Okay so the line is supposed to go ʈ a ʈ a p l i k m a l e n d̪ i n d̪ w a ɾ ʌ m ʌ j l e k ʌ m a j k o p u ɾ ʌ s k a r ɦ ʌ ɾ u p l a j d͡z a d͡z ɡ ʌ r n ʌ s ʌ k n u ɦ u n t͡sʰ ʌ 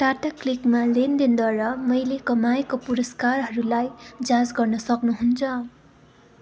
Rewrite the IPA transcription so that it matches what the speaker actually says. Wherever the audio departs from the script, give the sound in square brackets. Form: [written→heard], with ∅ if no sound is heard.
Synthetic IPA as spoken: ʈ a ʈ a [p→k] l i k m a l e n d̪ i n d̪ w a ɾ ʌ m ʌ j l e k ʌ m a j k o p u ɾ ʌ s k a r ɦ ʌ ɾ u [p→∅] l a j d͡z a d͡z ɡ ʌ r n ʌ s ʌ k n u ɦ u n t͡sʰ ʌ